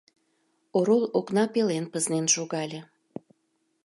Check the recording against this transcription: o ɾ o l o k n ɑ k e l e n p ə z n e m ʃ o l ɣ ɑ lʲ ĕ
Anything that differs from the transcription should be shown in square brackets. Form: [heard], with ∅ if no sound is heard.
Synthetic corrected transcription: o ɾ o l o k n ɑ [p] e l e n p ə z n e [n] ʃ o [∅] ɣ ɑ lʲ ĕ